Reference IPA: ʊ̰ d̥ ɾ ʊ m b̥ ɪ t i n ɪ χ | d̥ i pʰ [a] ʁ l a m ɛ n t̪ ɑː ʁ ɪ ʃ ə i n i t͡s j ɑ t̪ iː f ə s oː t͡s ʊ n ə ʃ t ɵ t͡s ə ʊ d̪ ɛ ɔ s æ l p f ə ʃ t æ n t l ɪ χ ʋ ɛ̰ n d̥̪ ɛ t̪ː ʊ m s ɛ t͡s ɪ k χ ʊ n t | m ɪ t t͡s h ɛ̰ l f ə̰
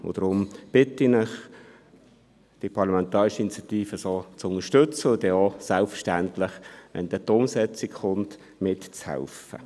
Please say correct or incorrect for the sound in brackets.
incorrect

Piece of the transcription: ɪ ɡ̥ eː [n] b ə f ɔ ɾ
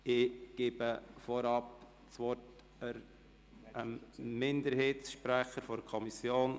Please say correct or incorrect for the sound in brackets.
incorrect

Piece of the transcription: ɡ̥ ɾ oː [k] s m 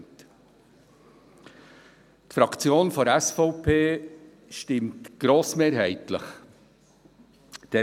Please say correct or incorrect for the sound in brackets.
incorrect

